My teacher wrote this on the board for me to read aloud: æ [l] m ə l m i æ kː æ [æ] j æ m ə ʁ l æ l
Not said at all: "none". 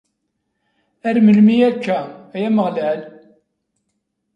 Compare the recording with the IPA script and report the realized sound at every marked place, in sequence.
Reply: ɾ, æ

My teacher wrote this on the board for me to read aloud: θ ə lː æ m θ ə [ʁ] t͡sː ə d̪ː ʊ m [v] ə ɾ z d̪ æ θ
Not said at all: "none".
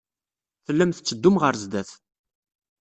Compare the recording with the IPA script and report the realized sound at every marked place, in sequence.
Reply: none, ʁ

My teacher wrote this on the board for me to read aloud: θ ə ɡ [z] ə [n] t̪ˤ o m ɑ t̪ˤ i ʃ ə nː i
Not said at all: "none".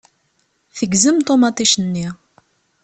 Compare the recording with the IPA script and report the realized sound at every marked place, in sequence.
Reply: z, m

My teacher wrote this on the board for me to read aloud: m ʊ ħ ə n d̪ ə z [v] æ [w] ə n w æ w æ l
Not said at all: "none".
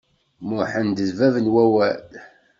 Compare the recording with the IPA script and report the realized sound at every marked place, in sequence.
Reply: v, v

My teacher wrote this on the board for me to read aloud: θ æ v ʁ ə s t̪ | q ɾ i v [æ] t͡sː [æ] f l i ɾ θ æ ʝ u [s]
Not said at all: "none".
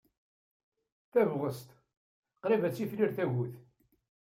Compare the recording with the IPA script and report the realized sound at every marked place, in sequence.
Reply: æ, i, θ

